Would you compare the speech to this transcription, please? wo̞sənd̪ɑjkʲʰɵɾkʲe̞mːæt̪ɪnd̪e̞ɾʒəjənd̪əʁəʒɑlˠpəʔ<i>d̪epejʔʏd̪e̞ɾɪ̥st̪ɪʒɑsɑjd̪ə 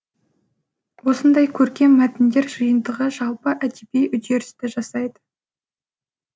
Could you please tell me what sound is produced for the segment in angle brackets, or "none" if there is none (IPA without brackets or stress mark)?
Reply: æ